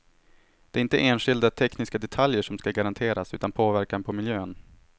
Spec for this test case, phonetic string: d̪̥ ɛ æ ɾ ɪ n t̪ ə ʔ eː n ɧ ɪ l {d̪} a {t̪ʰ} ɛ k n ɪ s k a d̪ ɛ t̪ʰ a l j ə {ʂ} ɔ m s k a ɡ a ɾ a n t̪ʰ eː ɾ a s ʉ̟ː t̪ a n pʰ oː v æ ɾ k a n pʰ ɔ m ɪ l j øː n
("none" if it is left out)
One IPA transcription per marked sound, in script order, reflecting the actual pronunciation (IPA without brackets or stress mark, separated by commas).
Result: d̪, t̪ʰ, ʂ